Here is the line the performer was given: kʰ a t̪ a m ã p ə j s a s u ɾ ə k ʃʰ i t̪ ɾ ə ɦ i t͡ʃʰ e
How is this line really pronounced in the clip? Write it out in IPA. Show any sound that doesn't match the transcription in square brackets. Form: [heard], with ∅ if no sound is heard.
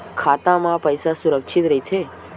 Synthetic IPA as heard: kʰ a t̪ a m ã p ə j s a s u ɾ ə k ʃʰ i t̪ ɾ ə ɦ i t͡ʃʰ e